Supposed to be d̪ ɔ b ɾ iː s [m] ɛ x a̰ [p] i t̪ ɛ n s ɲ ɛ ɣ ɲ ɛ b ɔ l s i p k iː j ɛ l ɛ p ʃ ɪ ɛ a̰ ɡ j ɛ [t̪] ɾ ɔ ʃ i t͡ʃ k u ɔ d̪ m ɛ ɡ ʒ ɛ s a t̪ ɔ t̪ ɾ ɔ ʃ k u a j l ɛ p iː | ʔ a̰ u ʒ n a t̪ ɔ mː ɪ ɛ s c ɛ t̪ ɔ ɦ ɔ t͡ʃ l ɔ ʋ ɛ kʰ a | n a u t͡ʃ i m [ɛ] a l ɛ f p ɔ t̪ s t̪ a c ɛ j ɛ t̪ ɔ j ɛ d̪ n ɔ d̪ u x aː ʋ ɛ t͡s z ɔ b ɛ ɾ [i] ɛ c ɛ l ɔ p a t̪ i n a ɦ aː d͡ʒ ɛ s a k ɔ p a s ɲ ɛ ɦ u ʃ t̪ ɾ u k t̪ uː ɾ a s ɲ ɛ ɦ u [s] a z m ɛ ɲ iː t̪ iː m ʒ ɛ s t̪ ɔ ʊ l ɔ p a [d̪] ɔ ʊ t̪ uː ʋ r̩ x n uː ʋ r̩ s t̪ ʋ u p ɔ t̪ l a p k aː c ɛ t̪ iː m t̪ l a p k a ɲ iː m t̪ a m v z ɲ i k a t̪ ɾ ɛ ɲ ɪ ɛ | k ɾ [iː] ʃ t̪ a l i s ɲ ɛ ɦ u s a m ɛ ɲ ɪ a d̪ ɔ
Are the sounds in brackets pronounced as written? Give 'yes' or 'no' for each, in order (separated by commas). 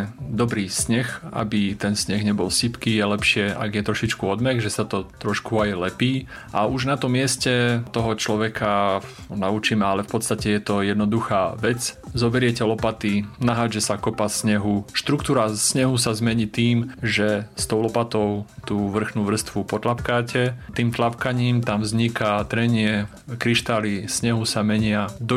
no, no, yes, yes, no, yes, no, no